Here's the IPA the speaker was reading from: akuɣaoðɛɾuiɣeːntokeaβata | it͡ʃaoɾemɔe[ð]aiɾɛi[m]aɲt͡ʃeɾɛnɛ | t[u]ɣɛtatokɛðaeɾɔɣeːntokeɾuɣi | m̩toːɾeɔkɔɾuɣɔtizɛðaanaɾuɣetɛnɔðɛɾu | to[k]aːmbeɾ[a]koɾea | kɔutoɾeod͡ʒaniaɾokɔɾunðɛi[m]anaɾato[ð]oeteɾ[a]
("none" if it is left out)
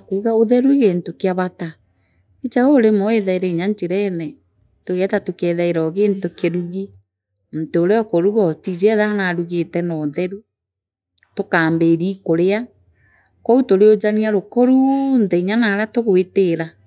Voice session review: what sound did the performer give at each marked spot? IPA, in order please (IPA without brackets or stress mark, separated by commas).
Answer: ð, ɲ, o, k, i, ɲ, ɣ, a